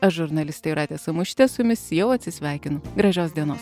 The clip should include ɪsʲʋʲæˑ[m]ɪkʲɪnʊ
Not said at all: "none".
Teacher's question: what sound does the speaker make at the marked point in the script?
none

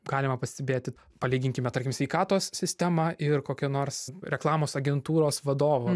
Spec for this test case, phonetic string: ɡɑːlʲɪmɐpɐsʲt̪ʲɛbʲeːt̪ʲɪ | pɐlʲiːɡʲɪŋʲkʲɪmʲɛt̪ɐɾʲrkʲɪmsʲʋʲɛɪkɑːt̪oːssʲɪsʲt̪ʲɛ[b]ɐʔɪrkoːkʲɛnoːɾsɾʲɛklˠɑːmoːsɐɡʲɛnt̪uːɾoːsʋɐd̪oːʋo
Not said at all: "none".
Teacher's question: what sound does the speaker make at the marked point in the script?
m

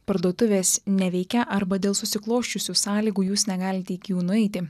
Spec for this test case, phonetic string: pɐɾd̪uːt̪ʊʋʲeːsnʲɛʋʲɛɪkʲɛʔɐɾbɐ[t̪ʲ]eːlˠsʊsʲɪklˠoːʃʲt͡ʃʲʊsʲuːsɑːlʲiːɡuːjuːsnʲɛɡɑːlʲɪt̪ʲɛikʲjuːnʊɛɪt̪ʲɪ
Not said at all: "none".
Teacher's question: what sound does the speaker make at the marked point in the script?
d̪ʲ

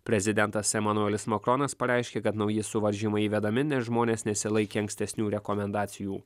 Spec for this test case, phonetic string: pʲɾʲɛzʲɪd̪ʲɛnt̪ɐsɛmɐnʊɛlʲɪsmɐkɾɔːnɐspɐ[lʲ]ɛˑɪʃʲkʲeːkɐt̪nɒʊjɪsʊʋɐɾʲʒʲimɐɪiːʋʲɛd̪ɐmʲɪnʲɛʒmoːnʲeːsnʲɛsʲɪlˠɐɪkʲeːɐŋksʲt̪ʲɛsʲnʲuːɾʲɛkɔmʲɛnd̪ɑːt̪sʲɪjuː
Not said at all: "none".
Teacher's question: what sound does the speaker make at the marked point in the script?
ɾʲ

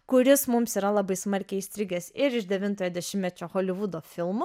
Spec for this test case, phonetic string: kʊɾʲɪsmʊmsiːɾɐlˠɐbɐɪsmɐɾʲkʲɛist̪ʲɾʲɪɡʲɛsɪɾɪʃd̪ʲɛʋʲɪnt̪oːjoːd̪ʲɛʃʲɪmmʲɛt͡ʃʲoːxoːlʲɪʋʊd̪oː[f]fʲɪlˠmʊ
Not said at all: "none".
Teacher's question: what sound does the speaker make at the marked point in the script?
f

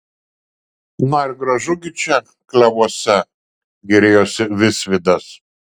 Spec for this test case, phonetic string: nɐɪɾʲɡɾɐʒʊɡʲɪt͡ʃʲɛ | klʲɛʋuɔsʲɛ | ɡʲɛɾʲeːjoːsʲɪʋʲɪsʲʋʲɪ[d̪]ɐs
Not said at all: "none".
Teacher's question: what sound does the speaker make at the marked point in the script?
d̪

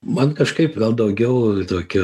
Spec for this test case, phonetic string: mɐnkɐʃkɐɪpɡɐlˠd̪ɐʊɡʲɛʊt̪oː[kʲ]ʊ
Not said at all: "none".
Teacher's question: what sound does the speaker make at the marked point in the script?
kʲ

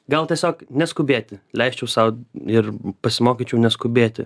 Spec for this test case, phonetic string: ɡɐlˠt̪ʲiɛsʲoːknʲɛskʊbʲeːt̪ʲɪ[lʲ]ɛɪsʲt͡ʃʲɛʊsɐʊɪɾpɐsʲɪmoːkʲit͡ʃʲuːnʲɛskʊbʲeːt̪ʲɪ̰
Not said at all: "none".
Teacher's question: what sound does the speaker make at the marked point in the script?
lʲ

